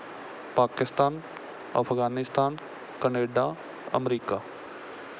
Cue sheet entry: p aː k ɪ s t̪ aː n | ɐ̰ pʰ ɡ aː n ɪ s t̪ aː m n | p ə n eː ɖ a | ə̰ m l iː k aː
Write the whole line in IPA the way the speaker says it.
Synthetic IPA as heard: p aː k ɪ s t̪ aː n | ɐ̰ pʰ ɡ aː n ɪ s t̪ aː n | k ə n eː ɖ a | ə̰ m ɾ iː k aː